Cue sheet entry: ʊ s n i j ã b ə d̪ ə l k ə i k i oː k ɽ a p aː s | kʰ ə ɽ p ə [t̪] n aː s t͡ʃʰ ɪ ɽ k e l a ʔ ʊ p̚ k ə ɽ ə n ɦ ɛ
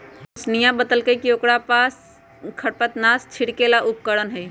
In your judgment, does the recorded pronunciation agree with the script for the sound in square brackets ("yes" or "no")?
yes